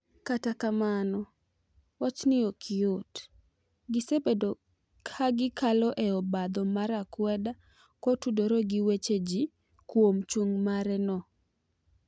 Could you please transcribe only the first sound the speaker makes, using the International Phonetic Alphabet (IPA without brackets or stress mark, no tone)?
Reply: k